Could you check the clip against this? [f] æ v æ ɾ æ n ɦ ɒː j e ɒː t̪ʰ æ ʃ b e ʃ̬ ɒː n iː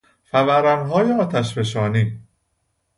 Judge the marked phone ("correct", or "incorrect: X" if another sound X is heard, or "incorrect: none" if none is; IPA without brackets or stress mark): correct